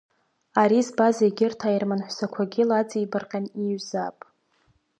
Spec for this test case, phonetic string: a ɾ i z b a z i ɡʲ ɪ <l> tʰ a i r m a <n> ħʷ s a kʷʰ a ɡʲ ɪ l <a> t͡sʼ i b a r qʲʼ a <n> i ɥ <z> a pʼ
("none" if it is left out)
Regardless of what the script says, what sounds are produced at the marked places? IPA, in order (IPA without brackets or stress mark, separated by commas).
r, n, a, n, z